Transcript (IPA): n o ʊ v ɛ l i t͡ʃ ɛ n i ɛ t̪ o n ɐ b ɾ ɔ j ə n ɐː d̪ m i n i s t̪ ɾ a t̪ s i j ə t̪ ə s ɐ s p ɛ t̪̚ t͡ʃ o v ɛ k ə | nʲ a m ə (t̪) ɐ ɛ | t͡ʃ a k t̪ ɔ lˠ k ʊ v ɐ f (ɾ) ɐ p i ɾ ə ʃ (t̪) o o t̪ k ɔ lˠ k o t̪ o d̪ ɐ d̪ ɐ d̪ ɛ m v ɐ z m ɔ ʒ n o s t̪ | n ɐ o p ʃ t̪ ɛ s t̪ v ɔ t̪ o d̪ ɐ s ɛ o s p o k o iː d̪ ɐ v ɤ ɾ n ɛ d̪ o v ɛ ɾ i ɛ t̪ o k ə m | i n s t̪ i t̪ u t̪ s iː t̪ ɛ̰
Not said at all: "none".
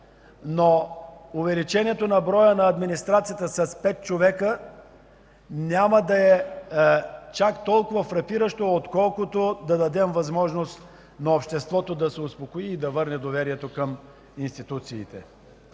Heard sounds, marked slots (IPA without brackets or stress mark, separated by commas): d̪, ɾ, t̪